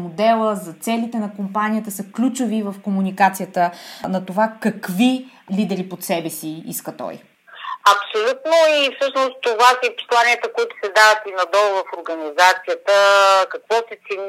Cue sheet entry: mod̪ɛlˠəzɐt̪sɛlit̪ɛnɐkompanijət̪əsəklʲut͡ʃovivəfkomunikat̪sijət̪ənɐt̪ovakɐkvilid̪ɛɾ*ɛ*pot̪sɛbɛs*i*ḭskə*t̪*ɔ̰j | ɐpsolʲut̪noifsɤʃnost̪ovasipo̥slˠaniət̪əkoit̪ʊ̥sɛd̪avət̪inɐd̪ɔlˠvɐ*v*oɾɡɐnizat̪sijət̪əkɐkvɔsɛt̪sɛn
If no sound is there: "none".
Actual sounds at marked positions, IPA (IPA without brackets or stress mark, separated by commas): i, i, t̪, f